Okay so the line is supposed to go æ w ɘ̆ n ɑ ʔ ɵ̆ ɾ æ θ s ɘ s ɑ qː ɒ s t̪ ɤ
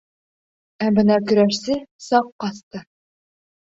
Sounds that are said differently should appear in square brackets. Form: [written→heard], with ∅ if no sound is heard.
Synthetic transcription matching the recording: æ [w→b] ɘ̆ n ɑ [ʔ→k] ɵ̆ ɾ æ [θ→ʃ] s ɘ s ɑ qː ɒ s t̪ ɤ